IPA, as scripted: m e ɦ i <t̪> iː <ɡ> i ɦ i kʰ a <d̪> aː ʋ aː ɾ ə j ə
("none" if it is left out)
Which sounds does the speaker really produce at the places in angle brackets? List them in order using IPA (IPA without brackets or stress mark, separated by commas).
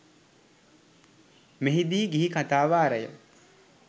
d̪, ɡ, t̪